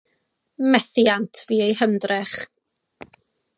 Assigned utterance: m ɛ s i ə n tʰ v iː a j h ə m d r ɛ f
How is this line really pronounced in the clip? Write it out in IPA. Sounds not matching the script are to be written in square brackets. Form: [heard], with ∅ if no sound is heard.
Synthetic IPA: m ɛ [θ] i [a] n tʰ v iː [e] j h ə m d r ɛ [χ]